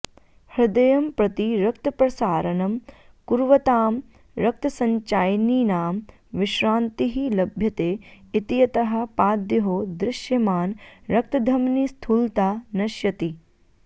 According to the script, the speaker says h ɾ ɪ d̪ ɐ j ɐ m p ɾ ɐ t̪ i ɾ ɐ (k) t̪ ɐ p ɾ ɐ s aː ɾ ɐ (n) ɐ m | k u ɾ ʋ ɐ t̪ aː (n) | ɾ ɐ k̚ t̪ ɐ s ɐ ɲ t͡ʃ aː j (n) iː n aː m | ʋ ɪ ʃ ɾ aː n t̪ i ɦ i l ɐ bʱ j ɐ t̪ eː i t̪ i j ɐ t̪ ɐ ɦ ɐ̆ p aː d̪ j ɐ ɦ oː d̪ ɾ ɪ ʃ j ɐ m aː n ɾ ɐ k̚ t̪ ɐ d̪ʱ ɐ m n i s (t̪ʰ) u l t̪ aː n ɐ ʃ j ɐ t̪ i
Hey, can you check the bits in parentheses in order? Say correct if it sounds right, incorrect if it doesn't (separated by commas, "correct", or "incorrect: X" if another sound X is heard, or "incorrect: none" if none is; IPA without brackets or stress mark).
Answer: correct, correct, incorrect: m, correct, correct